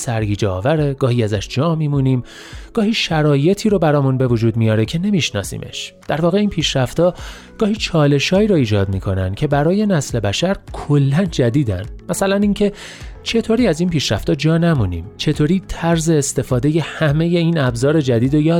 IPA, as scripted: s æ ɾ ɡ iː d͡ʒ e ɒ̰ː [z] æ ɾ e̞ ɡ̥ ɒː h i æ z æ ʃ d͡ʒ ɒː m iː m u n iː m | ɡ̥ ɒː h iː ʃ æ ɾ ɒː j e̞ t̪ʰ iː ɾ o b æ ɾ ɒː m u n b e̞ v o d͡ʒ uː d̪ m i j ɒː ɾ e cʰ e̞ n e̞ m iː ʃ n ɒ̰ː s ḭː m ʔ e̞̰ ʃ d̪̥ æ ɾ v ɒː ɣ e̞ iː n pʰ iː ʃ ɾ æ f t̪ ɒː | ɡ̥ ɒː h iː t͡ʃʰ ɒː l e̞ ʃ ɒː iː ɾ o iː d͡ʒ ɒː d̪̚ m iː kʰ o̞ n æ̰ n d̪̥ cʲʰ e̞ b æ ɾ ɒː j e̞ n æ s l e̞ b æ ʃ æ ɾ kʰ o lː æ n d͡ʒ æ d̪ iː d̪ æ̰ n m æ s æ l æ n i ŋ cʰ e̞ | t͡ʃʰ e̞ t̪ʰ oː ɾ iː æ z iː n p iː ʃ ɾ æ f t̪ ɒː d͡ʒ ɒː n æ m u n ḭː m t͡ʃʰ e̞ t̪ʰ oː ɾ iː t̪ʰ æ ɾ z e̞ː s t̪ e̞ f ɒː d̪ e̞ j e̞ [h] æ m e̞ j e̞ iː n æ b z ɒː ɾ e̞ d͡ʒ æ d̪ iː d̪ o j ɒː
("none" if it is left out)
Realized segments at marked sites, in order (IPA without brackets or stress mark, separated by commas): v, h